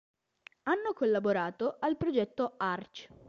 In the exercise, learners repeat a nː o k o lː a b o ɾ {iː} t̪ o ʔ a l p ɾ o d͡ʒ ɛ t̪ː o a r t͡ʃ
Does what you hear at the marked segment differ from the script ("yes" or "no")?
yes